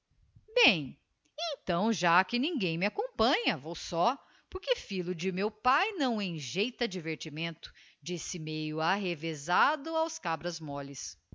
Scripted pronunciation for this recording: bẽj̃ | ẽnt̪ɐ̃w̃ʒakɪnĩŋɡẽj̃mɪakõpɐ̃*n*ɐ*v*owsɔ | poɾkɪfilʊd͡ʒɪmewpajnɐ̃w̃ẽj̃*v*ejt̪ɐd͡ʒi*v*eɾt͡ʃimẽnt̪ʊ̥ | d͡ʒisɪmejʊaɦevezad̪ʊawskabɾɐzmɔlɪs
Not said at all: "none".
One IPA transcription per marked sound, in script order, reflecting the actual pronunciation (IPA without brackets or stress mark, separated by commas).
ɲ, v, ʒ, v